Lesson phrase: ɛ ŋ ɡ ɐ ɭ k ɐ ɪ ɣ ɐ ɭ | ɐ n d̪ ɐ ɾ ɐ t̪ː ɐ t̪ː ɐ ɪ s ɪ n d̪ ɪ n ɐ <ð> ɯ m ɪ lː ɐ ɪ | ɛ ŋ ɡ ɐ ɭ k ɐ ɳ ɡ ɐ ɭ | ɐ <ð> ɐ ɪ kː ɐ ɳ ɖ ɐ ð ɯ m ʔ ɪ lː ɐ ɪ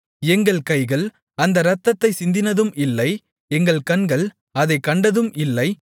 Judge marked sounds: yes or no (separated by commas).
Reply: yes, yes